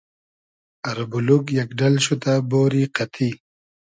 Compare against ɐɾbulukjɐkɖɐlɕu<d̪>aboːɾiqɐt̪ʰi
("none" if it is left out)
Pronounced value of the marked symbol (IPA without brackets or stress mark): t̪